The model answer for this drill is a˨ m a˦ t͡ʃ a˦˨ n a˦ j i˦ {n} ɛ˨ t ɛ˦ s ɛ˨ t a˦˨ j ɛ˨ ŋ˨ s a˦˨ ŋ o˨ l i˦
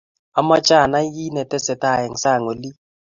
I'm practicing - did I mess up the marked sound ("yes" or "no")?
no